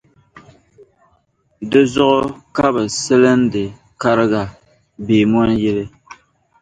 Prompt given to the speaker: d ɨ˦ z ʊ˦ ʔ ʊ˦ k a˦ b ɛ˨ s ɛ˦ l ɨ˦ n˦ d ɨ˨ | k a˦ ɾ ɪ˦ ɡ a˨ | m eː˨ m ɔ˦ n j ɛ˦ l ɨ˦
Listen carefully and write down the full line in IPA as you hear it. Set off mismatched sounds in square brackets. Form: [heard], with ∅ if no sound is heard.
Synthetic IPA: d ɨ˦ z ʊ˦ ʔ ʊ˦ k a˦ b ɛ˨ s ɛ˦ l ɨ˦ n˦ d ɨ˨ | k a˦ ɾ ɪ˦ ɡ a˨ | [b] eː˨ m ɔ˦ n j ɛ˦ l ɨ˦